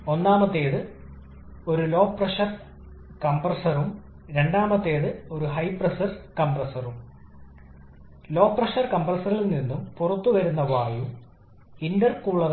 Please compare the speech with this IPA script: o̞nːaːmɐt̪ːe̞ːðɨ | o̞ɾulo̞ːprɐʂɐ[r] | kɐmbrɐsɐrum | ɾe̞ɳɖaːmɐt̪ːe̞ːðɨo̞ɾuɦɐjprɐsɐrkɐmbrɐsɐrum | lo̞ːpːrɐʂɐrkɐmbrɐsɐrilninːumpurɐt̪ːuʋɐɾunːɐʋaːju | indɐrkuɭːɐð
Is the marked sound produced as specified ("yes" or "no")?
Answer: yes